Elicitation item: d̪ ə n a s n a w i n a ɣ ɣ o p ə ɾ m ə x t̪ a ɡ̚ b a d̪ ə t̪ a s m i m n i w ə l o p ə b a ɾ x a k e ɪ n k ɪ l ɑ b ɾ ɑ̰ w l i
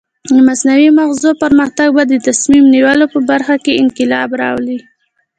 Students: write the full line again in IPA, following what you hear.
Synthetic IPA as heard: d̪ ə m a s n a w i m a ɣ z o p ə ɾ m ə x t̪ a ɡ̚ b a d̪ ə t̪ a s m i m n i w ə l o p ə b a ɾ x a k e ɪ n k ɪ l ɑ b ɾ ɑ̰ w l i